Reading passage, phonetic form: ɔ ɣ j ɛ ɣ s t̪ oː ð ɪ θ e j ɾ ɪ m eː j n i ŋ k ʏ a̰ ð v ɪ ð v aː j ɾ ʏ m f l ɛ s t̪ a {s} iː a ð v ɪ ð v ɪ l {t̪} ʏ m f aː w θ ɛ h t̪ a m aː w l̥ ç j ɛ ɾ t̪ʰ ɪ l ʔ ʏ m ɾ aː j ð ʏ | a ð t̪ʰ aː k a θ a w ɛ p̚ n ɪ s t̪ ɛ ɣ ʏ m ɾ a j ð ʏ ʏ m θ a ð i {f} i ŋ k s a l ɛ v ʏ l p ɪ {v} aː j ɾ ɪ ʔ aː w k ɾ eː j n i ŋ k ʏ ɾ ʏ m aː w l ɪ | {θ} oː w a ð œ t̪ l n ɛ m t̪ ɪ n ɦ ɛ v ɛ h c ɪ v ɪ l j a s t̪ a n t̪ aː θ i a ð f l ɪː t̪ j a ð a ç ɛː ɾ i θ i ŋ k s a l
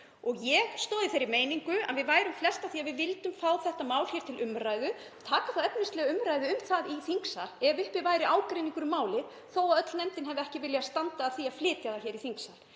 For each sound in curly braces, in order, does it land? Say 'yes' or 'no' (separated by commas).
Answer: no, yes, no, yes, yes